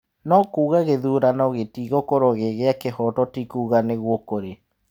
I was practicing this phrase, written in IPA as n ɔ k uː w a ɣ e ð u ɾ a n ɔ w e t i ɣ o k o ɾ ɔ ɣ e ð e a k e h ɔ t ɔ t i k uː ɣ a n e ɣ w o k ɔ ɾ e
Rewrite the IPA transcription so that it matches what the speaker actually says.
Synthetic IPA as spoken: n ɔ k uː ɣ a ɣ e ð u ɾ a n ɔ ɣ e t i ɣ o k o ɾ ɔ ɣ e ɣ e a k e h ɔ t ɔ t i k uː ɣ a n e ɣ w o k o ɾ e